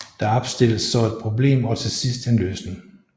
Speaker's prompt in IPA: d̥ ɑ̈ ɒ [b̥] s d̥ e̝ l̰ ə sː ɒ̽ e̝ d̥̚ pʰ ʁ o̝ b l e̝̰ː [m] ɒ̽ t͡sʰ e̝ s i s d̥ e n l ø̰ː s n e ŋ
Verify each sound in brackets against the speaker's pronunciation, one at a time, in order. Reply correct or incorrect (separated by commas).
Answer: correct, correct